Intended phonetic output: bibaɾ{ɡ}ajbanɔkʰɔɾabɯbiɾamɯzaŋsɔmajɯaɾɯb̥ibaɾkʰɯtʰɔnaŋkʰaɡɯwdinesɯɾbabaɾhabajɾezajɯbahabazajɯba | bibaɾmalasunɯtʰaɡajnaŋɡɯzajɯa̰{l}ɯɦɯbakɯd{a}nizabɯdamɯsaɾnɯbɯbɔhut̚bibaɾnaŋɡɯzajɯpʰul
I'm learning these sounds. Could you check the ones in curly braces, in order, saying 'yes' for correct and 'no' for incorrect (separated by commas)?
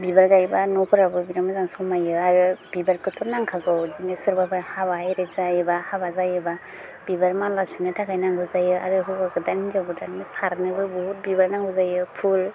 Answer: yes, no, yes